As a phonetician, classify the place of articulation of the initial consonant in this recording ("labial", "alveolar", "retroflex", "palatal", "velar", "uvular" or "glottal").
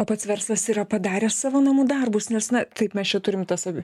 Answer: labial